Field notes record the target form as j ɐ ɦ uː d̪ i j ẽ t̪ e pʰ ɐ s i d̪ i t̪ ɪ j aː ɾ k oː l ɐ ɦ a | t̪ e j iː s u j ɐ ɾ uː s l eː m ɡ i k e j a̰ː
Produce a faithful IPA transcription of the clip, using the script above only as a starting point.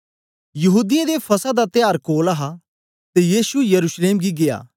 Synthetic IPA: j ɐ ɦ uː d̪ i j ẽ d̪ e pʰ ɐ s a d̪ a t̪ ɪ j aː ɾ k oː l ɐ ɦ a | t̪ e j iː s u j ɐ ɾ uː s l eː m ɡ i ɡ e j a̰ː